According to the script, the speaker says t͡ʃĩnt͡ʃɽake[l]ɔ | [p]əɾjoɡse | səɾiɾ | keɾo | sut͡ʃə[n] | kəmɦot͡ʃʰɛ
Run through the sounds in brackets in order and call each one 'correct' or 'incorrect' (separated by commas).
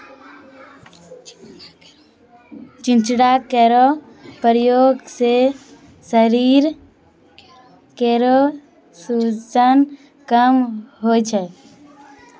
incorrect, correct, correct